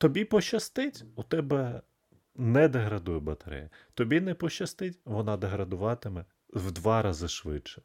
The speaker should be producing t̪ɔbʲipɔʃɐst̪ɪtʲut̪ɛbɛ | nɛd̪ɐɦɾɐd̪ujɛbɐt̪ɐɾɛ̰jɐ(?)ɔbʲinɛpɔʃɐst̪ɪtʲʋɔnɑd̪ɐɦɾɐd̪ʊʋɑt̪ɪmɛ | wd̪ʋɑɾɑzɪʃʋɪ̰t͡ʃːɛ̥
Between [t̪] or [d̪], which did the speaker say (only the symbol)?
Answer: t̪